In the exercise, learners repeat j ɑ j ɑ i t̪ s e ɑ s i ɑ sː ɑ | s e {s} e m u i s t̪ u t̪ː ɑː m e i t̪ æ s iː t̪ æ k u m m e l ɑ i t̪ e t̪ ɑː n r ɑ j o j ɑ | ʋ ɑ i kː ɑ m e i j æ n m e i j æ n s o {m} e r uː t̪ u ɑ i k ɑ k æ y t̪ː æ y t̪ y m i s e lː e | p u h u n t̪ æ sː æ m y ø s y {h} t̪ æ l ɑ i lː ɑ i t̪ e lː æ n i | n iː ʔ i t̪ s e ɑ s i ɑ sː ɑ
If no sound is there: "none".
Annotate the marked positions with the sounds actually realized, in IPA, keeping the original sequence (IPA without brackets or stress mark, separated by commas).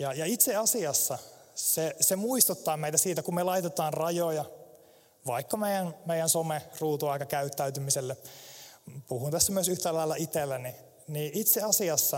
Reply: s, m, h